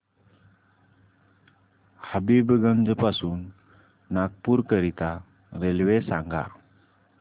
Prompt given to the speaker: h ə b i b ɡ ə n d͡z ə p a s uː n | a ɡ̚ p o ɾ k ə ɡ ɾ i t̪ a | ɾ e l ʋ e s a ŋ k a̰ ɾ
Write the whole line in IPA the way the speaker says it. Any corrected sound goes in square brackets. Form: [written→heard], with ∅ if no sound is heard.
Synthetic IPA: h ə b i b ɡ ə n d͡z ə p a s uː [n→nː] | a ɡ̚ p [o→u] ɾ k ə [ɡ→∅] ɾ i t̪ a | ɾ e l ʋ e s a ŋ [k→ɡ] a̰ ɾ